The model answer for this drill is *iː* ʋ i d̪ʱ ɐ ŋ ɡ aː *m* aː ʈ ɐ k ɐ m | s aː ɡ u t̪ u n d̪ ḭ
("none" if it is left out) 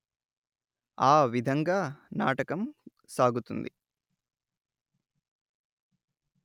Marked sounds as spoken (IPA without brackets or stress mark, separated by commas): aː, n